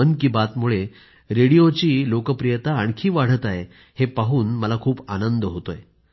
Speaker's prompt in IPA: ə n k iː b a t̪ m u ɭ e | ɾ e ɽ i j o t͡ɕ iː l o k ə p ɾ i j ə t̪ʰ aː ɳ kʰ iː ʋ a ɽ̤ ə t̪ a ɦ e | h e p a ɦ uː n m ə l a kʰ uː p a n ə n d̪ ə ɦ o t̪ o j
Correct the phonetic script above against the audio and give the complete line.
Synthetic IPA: ə n k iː b a t̪ m u ɭ e | ɾ e ɽ i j o t͡ɕ iː l o k ə p ɾ i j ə t̪ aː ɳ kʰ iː ʋ a ɽ̤ ə t̪ a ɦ e | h e p a ɦ uː n m ə l a kʰ uː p a n ə n d̪ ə ɦ o t̪ o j

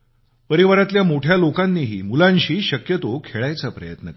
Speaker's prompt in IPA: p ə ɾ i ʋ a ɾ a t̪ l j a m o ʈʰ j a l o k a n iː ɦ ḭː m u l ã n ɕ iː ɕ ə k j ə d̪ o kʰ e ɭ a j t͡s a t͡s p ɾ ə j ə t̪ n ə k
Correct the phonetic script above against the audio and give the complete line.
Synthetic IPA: p ə ɾ i ʋ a ɾ a t̪ l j a m o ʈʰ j a l o k a nː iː ɦ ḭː m u l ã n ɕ iː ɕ ə k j ə t̪ o kʰ e ɭ a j t͡s a p ɾ ə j ə t̪ n ə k

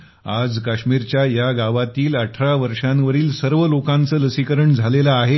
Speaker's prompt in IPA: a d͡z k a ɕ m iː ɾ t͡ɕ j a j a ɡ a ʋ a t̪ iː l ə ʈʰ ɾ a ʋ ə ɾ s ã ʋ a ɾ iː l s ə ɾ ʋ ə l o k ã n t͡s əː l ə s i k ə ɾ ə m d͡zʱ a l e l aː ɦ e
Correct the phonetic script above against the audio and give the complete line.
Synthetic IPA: a d͡z k a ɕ m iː ɾ t͡ɕ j a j a ɡ a ʋ a t̪ iː l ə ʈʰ ɾ a ʋ ə ɾ ʂ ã ʋ ə ɾ iː l s ə ɾ ʋ ə l o k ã n t͡s əː l ə s i k ə ɾ ə ɳ d͡zʱ a l e l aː ɦ e

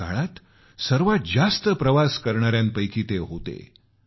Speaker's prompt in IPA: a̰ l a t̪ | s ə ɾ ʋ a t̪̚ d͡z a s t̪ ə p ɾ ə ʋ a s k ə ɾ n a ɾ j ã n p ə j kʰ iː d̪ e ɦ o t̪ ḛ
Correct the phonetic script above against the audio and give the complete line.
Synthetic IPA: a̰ ɭ a t̪ | s ə ɾ ʋ a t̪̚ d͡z a s t̪ ə p ɾ ə ʋ a s k ə ɾ ɳ a ɾ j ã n p ə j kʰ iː t̪ e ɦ o t̪ ḛ

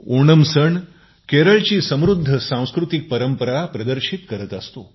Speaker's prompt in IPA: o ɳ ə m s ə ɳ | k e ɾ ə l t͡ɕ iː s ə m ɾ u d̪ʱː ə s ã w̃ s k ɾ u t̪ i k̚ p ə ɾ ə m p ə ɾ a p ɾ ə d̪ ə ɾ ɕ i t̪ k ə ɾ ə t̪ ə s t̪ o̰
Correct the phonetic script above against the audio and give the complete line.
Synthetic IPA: o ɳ ə m s ə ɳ | k e ɾ ə ɭ t͡ɕ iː s ə m ɾ u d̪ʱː ə s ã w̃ s k ɾ u t̪ i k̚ p ə ɾ ə m p ə ɾ a p ɾ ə d̪ ə ɾ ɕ i t̪ k ə ɾ ə t̪ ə s t̪ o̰

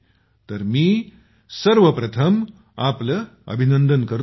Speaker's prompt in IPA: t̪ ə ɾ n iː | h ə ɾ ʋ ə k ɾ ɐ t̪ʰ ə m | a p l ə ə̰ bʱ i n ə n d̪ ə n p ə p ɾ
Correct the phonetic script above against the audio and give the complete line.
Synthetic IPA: t̪ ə ɾ m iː | s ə ɾ ʋ ə p ɾ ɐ t̪ʰ ə m | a p l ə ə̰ bʱ i n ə n d̪ ə n k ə ɾ

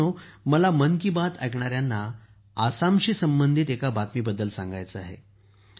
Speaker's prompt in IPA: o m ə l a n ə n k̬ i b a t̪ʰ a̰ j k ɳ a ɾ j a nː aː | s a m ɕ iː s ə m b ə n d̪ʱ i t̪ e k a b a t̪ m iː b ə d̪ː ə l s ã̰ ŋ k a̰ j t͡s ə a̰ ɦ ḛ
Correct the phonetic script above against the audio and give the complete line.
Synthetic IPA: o m ə l a m ə n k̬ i b a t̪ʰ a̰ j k ɳ a ɾ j a nː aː | s a m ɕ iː s ə m b ə n d̪ʱ i t̪ e k a b a t̪ m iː b ə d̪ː ə l s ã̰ ŋ ɡ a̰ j t͡s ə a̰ ɦ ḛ

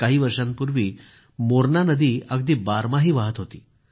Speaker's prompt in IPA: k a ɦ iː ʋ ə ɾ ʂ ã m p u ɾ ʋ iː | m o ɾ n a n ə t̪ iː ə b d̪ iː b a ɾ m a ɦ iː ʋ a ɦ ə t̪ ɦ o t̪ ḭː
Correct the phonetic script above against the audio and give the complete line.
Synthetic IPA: k a ɦ iː ʋ ə ɾ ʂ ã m p u ɾ ʋ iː | m o ɾ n a n ə d̪ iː ə ɡ d̪ iː b a ɾ m a ɦ iː ʋ a ɦ ə t̪ ɦ o t̪ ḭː

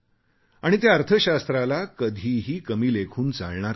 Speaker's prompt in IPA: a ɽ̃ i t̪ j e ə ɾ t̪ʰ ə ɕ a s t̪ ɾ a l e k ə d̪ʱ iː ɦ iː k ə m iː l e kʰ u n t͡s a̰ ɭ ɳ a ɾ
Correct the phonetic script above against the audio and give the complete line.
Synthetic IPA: a ɽ̃ i t̪ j a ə ɾ t̪ʰ ə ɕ a s t̪ ɾ a l a k ə d̪ʱ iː ɦ iː k ə m iː l e kʰ uː n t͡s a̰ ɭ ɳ a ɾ

